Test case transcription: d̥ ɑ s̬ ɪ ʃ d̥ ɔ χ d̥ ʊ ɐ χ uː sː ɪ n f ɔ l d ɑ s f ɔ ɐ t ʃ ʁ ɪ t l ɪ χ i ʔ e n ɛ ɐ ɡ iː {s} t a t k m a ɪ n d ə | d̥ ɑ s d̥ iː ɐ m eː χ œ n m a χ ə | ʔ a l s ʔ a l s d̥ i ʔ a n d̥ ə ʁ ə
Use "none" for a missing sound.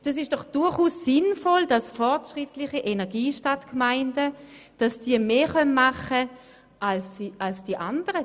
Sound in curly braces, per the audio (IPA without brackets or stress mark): ʃ